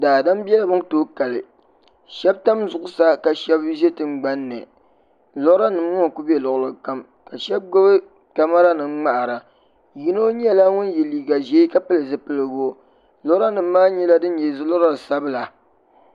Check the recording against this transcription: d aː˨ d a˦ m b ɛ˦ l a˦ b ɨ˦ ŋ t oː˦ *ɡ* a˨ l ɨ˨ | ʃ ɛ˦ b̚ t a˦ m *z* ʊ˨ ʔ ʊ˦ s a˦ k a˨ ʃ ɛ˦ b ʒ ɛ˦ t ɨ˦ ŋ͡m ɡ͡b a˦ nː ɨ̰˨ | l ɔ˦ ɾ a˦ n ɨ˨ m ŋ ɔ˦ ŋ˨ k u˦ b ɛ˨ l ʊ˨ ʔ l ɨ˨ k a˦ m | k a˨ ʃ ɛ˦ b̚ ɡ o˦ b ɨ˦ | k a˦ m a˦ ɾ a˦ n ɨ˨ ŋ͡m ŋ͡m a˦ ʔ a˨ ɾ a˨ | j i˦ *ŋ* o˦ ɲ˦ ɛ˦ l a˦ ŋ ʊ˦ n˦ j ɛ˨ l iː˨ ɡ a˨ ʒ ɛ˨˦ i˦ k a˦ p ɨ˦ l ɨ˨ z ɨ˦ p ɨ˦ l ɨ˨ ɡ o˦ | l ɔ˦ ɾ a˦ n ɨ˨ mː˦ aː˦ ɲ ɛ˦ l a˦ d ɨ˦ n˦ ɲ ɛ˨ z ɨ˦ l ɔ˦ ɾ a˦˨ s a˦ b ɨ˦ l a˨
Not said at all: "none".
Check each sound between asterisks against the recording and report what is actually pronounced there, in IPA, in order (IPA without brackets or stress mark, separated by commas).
k, z, n